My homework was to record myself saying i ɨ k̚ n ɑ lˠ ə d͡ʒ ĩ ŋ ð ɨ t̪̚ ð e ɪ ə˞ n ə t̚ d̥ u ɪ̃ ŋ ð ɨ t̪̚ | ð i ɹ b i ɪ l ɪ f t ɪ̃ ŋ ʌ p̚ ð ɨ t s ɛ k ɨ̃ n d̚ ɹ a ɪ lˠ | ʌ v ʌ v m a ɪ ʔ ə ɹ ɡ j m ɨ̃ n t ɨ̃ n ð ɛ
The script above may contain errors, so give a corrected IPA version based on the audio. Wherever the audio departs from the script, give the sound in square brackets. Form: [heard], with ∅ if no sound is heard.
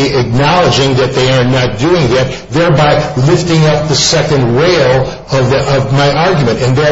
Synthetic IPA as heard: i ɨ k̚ n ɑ lˠ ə d͡ʒ [ɪ̃] ŋ ð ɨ t̪̚ ð e ɪ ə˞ n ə t̚ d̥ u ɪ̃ ŋ ð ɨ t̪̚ | ð [ɛ] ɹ b [a] ɪ l ɪ f t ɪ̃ ŋ ʌ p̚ ð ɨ [∅] s ɛ k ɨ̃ n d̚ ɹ [e] ɪ lˠ | ʌ v ʌ v m a ɪ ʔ [ɑ] ɹ ɡ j m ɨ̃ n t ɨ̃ n ð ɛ